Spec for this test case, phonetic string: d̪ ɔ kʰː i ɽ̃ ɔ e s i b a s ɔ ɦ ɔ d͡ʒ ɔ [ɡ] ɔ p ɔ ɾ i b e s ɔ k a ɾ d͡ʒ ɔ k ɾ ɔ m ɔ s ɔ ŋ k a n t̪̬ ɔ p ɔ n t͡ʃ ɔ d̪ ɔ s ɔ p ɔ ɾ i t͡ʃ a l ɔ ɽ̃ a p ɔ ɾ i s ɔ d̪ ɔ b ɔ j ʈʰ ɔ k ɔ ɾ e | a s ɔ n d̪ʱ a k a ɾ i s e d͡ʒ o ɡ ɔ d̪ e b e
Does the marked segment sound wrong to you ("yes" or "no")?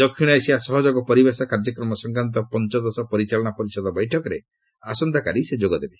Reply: no